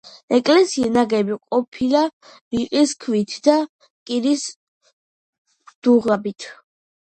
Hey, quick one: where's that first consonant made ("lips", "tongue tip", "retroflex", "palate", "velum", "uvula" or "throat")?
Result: velum